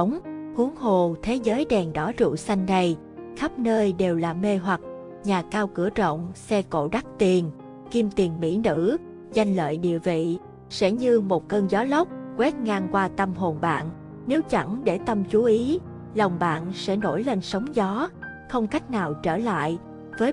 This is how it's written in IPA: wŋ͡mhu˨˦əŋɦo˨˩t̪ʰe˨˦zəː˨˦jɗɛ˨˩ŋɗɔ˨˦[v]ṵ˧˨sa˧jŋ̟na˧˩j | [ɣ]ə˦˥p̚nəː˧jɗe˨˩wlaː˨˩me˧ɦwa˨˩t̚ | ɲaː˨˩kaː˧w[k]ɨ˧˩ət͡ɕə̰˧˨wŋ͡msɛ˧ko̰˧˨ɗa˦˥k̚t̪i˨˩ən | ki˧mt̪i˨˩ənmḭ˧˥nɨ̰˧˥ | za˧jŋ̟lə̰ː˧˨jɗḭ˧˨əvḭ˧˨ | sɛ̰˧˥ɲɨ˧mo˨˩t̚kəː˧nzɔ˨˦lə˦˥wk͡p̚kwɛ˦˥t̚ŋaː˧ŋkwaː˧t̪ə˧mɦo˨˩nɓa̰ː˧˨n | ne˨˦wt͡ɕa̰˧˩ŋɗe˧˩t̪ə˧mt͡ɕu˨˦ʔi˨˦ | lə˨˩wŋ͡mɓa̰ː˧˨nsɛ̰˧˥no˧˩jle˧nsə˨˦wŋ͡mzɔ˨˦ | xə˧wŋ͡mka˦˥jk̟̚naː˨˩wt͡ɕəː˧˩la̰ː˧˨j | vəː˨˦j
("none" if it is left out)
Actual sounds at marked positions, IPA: z, x, k

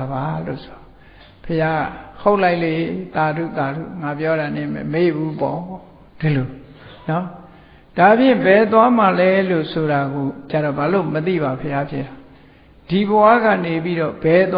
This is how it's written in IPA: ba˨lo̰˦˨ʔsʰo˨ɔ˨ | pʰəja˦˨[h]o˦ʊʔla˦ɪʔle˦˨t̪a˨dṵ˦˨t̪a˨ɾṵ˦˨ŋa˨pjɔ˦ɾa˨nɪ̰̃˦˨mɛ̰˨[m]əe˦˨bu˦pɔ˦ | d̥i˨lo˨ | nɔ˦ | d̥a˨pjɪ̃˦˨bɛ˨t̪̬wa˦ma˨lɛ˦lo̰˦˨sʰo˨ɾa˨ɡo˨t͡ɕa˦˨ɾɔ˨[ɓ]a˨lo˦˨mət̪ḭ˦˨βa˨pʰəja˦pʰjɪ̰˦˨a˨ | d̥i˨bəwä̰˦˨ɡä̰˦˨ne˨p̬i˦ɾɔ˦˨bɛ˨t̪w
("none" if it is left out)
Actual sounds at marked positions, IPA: h, m, b

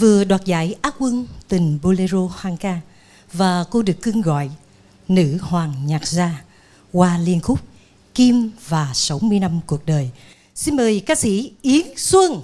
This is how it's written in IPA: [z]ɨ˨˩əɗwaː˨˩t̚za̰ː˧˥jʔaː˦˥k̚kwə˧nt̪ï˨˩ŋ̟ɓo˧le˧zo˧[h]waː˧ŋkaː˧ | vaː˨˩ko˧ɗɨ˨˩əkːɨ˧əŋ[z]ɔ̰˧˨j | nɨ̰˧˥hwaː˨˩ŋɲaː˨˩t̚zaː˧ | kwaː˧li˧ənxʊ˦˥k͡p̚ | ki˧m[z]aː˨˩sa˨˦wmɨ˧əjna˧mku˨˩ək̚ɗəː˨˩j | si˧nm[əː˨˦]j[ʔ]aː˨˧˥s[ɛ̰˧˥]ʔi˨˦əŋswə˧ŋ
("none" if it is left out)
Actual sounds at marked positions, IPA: v, h, ɣ, v, əː˨˩, k, ḭ˧˥

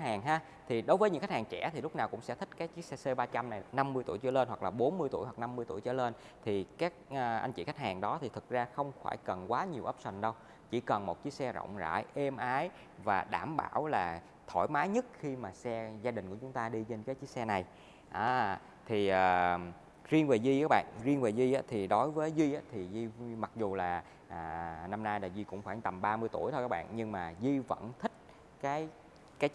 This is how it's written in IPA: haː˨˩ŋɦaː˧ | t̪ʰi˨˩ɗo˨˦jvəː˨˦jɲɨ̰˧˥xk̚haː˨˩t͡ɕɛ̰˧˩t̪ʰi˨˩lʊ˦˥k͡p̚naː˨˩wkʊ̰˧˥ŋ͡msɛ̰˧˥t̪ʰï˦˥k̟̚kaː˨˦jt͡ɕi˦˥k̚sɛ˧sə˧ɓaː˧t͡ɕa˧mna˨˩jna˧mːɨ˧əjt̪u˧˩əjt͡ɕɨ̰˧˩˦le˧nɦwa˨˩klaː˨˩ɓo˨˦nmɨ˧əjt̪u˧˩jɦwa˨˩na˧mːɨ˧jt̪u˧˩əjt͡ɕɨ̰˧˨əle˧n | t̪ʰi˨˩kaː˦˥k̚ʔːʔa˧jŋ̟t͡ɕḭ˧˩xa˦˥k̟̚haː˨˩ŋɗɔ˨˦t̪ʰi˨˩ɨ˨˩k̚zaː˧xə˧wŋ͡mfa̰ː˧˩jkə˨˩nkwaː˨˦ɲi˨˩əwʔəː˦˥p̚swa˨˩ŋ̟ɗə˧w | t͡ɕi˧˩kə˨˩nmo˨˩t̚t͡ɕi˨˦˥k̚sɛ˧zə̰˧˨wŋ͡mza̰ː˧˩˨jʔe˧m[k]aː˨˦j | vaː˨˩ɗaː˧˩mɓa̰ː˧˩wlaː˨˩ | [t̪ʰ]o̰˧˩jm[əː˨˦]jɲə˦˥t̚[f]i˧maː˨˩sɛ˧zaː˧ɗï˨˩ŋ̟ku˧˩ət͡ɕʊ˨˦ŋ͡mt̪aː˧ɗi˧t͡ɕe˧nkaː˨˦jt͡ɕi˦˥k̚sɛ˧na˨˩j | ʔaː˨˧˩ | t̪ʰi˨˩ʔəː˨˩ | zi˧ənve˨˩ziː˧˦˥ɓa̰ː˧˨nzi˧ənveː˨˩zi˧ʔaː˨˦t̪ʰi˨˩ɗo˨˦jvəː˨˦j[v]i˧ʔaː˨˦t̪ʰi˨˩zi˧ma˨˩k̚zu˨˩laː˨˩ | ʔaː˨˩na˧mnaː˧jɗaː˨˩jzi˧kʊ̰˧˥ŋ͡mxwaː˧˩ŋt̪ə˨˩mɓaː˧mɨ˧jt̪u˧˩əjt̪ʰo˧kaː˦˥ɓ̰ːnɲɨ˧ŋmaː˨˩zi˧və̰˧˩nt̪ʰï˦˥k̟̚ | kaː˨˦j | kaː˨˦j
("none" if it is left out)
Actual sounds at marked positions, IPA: ʔ, t̪ʰ, aː˨˦, x, z

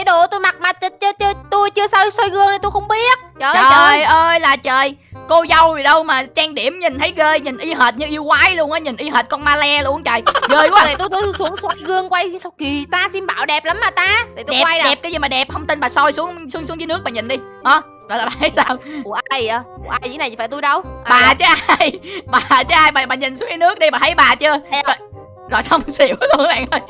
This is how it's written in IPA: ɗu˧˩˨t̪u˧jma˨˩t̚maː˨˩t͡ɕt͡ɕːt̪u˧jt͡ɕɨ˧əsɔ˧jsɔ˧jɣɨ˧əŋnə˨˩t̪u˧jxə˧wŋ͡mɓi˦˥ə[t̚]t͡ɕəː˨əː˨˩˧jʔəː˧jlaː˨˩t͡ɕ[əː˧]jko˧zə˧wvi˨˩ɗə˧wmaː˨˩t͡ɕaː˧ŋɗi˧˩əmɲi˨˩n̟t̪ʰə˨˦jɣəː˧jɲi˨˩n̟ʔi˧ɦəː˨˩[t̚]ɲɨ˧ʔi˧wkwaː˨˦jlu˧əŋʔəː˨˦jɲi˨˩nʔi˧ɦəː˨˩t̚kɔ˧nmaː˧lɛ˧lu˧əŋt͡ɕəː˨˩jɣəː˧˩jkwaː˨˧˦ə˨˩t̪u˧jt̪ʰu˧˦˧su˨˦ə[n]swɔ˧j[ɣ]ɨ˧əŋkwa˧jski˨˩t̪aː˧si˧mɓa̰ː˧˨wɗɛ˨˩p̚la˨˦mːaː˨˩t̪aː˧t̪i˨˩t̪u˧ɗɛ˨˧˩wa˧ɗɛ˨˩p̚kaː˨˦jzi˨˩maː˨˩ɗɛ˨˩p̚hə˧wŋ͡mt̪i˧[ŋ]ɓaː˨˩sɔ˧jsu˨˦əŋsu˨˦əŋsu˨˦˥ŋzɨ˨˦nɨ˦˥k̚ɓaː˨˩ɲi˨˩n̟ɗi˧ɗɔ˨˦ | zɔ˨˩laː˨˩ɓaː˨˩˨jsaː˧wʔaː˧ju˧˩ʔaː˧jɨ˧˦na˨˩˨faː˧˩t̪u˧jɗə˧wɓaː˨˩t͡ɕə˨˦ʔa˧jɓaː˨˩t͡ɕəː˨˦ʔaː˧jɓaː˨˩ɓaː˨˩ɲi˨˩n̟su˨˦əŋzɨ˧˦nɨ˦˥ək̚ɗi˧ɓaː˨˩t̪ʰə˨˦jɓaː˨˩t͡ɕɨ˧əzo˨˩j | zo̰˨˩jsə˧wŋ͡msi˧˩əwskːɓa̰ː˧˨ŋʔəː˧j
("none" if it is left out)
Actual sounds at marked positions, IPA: t̚, əː˨˩, t̚, ŋ, ɣ, n

